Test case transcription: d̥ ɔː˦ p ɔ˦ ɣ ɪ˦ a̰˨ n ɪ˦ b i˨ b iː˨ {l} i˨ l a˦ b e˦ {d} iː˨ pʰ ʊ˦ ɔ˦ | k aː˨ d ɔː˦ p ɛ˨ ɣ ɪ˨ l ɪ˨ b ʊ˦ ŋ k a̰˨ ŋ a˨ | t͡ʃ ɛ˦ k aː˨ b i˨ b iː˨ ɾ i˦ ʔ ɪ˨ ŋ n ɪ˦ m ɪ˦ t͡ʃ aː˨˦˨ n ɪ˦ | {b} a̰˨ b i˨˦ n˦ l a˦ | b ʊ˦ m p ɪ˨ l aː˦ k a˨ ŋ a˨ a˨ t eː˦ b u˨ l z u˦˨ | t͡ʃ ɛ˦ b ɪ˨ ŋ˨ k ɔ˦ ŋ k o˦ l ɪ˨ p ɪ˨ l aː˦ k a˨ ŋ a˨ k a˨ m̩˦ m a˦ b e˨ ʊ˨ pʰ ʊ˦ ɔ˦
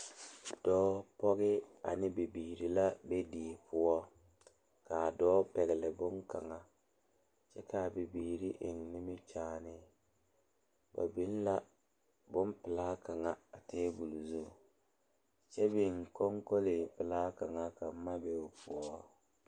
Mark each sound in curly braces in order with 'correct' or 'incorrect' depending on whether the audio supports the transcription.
incorrect, correct, correct

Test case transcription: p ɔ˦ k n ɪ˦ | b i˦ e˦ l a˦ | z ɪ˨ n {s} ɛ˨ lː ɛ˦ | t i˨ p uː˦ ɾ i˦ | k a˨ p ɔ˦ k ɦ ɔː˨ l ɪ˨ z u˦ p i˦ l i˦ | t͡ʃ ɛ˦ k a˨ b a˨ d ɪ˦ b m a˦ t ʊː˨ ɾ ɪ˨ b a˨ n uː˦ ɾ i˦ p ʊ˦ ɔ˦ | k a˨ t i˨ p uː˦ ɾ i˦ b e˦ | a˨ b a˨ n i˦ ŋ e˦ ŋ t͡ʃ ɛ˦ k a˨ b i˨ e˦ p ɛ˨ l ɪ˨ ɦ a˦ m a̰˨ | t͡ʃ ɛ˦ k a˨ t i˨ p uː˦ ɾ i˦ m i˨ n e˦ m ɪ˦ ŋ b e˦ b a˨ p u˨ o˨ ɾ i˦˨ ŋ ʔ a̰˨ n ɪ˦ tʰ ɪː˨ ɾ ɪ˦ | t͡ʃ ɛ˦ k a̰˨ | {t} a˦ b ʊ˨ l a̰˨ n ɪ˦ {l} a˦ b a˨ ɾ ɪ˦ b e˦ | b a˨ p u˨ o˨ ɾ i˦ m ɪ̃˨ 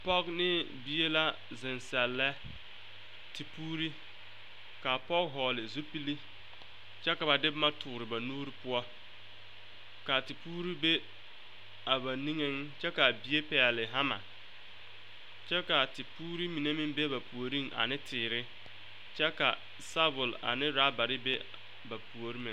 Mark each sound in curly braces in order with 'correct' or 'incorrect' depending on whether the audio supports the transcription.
correct, incorrect, incorrect

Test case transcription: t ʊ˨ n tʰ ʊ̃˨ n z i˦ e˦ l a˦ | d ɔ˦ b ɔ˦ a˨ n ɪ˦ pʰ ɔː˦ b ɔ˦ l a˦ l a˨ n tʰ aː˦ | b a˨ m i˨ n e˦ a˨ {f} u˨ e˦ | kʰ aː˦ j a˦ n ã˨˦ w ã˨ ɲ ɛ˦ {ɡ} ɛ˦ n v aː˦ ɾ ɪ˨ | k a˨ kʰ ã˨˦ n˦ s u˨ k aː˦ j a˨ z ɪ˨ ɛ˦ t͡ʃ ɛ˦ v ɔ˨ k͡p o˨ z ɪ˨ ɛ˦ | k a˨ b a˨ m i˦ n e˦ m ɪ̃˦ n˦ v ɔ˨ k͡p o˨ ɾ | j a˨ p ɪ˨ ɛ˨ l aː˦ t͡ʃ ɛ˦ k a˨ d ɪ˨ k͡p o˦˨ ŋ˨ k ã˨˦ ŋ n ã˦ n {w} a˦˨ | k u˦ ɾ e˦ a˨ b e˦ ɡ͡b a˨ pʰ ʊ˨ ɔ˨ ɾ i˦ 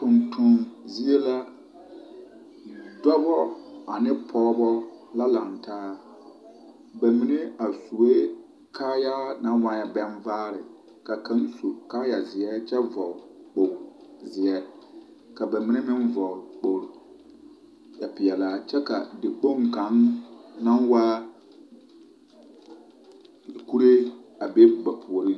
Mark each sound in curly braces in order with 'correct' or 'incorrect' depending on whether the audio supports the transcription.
incorrect, incorrect, correct

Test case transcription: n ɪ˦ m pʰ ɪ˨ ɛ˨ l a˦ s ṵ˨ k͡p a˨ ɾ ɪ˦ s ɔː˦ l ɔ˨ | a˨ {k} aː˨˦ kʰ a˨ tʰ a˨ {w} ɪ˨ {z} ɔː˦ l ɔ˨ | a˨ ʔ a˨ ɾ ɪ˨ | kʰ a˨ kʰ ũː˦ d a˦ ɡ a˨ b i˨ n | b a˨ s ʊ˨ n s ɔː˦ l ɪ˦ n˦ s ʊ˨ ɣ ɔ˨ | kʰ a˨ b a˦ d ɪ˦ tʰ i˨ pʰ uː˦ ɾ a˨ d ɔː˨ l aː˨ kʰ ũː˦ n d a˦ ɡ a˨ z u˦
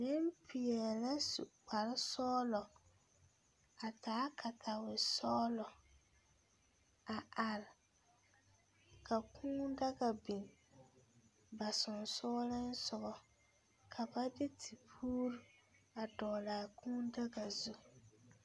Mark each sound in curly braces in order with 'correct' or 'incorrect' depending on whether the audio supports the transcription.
incorrect, correct, incorrect

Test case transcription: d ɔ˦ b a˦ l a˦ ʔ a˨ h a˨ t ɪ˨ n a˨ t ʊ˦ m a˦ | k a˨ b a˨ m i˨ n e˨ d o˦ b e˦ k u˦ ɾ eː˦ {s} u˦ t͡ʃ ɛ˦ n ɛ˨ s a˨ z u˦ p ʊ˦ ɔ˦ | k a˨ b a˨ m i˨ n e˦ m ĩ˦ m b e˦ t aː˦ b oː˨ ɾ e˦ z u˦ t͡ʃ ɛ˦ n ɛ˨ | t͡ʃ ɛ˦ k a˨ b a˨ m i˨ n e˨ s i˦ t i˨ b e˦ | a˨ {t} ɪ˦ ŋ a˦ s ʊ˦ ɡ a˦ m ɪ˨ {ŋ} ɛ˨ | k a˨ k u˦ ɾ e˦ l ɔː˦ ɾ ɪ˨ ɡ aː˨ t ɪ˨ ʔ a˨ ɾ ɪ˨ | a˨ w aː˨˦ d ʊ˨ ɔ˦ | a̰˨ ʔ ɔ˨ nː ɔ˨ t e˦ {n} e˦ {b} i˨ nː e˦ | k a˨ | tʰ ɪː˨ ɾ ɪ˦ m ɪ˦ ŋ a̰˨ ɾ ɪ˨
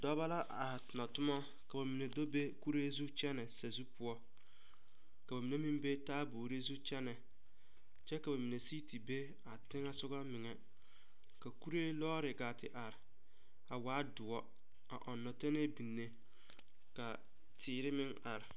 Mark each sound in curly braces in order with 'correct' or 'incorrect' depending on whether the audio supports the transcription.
incorrect, correct, correct, correct, correct

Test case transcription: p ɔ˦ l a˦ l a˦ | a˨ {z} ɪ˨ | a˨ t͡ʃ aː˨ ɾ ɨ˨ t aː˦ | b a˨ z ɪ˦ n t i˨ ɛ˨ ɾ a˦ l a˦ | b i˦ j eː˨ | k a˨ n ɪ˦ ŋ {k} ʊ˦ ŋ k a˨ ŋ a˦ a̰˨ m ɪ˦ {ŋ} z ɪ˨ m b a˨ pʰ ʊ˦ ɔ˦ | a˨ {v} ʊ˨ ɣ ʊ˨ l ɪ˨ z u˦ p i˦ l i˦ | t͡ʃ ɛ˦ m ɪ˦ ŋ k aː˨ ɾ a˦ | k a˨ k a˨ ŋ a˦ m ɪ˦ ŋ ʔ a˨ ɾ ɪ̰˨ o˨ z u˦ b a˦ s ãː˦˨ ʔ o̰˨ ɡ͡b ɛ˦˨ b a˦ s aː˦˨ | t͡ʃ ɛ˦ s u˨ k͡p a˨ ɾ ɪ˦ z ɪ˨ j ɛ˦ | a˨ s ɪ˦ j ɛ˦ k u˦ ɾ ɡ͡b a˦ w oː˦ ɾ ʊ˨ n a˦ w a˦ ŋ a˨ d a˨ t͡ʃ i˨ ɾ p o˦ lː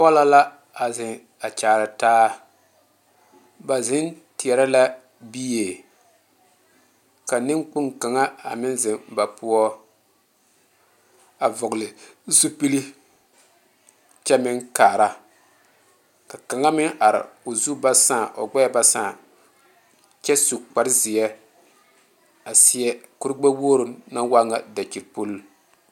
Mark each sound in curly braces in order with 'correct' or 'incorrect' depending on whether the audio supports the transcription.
correct, incorrect, incorrect, correct

